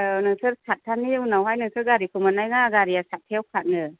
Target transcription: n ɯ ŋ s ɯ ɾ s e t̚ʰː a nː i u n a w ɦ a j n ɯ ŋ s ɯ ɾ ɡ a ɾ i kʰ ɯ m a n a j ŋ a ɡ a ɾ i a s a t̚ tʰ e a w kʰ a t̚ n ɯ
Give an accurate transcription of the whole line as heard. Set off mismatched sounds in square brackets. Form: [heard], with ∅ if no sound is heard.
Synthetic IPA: n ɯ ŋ s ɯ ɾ s [a] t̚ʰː a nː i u n a w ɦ a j n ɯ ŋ s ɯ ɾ ɡ a ɾ i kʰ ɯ m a n a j ŋ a ɡ a ɾ i a s a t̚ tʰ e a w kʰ a t̚ n ɯ